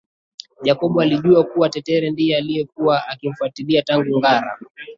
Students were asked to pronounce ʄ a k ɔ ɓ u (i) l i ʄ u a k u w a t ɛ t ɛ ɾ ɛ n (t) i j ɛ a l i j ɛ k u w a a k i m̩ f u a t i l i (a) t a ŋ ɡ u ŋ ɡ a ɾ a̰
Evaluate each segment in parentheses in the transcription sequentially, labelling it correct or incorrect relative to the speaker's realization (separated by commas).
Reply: incorrect, incorrect, correct